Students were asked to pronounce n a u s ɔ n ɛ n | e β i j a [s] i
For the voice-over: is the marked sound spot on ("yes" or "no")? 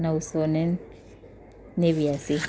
yes